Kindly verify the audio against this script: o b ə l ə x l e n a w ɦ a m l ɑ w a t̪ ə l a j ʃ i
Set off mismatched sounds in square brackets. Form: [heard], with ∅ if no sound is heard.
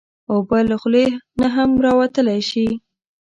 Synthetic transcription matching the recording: o b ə l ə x l e n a [∅] ɦ a m [ɾ] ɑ w a t̪ ə l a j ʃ i